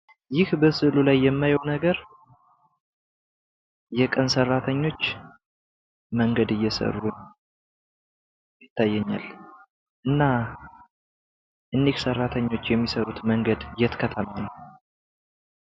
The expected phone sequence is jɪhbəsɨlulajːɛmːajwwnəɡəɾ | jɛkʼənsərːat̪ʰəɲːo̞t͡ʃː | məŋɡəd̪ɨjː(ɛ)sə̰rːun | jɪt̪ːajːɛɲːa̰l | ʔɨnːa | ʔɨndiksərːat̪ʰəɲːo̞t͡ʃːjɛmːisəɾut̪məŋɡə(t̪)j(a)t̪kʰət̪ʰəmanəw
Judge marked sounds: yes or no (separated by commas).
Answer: yes, no, no